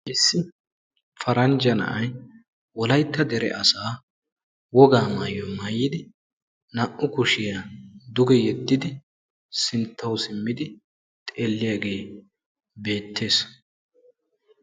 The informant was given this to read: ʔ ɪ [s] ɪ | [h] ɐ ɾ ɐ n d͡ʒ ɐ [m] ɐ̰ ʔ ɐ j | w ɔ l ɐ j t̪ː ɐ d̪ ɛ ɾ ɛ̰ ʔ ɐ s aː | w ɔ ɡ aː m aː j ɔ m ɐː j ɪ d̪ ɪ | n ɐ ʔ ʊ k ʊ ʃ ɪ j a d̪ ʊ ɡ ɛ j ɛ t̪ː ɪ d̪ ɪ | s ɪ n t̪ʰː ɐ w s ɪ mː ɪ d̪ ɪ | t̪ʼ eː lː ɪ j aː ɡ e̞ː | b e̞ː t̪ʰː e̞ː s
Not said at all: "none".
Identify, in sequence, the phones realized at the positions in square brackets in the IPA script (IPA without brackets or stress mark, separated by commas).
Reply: sː, f, n